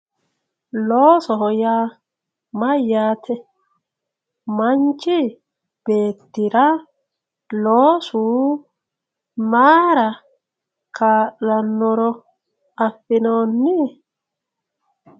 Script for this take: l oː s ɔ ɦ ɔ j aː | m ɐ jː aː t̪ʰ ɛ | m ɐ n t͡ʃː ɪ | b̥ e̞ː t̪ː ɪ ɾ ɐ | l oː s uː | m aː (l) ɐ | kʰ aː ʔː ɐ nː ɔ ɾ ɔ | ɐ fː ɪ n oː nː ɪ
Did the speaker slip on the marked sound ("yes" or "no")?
yes